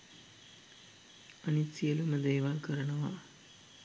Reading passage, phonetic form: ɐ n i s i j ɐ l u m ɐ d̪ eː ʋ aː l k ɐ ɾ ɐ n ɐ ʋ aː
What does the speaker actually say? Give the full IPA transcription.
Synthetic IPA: ɐ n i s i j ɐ l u m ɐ d̪ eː ʋ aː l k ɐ ɾ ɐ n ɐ ʋ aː